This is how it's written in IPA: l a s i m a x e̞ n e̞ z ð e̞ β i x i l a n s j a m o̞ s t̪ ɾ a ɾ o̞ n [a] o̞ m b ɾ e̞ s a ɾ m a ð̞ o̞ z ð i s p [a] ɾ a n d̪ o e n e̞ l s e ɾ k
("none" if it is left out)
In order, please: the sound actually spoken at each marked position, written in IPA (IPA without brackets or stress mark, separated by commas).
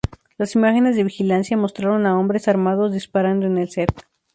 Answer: a, a